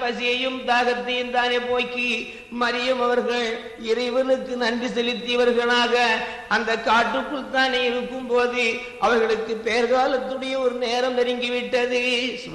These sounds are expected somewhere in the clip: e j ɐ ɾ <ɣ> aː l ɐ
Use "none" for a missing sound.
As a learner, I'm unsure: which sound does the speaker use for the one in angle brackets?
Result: ɣ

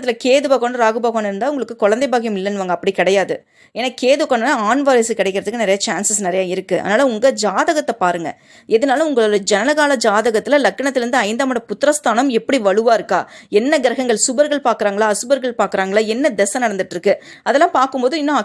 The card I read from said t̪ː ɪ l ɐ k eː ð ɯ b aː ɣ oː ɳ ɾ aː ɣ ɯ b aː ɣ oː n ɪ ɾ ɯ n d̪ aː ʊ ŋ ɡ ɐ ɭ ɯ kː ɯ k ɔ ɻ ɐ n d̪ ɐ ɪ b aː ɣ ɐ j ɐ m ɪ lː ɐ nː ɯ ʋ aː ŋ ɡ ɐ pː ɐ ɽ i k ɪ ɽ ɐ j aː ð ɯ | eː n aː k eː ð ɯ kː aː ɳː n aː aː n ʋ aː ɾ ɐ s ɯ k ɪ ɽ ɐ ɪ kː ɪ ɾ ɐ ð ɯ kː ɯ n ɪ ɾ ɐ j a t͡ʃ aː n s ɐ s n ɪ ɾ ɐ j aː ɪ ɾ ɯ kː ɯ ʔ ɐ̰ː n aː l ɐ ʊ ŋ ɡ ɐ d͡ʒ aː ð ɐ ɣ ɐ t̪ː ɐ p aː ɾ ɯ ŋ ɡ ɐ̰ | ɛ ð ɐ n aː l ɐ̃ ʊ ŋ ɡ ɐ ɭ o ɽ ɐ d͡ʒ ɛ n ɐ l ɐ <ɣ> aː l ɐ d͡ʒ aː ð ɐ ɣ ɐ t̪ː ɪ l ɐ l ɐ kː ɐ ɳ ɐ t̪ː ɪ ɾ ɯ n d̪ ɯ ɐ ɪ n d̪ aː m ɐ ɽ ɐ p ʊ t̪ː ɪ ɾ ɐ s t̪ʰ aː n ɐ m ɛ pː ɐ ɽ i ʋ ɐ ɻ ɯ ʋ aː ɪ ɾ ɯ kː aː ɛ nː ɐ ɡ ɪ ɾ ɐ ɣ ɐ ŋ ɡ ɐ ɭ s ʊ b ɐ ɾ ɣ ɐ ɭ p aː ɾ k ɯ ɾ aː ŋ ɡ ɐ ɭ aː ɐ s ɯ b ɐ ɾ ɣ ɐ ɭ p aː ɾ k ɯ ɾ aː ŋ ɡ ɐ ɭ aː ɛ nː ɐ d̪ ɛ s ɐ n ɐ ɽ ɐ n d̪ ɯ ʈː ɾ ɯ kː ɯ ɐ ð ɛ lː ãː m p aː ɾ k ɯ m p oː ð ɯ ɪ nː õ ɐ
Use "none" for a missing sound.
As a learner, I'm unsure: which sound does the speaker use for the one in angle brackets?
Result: ɣ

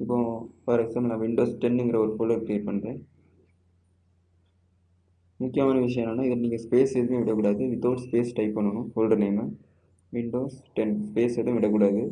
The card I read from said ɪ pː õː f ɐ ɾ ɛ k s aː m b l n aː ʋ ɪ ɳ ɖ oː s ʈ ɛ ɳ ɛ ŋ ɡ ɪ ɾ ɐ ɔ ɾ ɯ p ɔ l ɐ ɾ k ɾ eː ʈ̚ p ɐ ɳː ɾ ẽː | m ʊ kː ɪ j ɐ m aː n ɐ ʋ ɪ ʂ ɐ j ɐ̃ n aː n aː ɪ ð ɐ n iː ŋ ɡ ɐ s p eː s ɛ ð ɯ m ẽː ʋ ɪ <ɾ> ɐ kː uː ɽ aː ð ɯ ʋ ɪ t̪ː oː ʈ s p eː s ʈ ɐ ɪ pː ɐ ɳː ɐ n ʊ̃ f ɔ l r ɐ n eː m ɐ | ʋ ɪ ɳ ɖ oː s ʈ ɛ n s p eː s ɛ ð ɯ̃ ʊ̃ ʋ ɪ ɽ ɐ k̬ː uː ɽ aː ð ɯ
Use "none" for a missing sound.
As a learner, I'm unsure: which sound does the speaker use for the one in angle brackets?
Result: ɽ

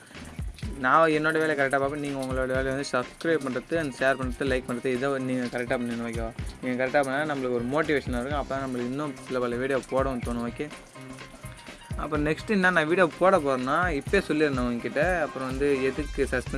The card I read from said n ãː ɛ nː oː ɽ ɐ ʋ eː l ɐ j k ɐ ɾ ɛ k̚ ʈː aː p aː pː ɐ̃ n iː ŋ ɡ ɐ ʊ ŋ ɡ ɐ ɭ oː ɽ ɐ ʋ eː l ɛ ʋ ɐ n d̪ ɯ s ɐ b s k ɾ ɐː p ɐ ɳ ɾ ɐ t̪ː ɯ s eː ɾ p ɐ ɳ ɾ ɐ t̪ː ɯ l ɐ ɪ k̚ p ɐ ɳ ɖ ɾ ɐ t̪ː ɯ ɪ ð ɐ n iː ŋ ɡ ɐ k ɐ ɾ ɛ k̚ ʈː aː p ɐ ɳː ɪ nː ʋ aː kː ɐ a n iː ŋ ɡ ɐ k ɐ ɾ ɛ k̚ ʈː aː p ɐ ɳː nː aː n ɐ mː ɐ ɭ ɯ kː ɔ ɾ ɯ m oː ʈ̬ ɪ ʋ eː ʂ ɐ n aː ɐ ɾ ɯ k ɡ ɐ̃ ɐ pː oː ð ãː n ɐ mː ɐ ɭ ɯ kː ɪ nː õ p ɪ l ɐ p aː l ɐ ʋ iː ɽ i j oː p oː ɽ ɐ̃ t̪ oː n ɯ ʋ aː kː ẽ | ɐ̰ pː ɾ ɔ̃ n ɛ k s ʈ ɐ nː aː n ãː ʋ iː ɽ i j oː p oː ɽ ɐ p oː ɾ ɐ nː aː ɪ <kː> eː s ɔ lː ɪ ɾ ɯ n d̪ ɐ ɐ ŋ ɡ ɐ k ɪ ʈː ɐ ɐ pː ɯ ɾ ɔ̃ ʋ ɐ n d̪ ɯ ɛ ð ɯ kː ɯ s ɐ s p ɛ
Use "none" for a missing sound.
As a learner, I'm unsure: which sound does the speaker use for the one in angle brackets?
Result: pː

